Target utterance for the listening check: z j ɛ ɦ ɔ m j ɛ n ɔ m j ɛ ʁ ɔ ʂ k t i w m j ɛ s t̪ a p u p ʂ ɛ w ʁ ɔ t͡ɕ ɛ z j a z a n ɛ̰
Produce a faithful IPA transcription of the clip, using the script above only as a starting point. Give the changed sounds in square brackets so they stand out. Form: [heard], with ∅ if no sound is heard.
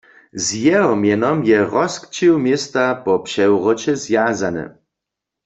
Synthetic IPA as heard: z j ɛ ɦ ɔ m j ɛ n ɔ m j ɛ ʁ ɔ [s] k [t͡ɕ] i w m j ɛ s t̪ a p [ɔ] p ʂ ɛ w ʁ ɔ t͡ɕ ɛ z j a z a n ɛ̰